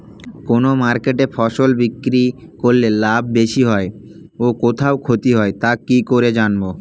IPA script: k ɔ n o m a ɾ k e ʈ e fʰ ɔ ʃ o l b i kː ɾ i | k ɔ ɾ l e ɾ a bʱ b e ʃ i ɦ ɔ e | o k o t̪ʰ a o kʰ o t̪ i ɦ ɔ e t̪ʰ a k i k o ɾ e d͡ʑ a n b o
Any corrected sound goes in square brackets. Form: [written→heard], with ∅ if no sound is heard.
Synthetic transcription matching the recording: k [ɔ→o] n o m a ɾ k e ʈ e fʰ ɔ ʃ o l b i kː ɾ i | k [ɔ→o] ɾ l e [ɾ→l] a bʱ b e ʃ i ɦ ɔ e | o k o t̪ʰ a o kʰ o t̪ i ɦ ɔ e [t̪ʰ→t̪] a k i k o ɾ e d͡ʑ a n b o